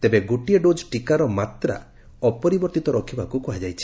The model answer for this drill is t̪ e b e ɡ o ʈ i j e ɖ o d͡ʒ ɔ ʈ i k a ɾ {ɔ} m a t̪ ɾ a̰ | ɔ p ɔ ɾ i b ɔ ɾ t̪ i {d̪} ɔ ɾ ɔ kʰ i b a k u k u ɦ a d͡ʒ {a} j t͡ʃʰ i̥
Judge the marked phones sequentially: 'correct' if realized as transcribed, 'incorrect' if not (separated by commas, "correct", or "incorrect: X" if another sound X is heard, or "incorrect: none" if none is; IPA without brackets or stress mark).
correct, incorrect: t̪, correct